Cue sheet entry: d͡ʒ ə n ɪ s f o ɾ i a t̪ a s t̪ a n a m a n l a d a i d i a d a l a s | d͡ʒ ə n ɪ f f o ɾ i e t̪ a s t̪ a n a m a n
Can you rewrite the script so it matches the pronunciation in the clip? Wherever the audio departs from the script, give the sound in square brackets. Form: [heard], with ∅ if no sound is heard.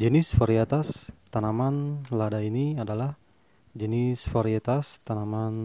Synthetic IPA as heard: d͡ʒ ə n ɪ s f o ɾ i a t̪ a s t̪ a n a m a n l a d a i [n] i a d a l a [h] | d͡ʒ ə n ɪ [s] f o ɾ i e t̪ a s t̪ a n a m a n